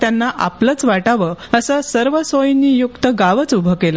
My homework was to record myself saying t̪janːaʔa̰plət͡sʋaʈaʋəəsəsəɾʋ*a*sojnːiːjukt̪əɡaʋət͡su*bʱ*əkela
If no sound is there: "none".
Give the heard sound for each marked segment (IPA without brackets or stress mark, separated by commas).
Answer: ə, bʱ